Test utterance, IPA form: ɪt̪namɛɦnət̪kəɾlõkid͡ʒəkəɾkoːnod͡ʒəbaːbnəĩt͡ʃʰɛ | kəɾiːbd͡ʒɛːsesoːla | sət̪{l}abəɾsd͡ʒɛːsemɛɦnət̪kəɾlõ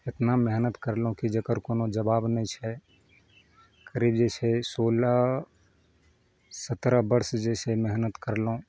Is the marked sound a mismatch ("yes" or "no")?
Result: yes